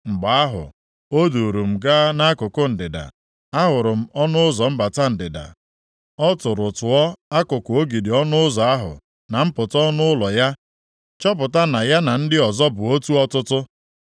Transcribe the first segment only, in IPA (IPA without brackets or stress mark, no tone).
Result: ŋ͡m̩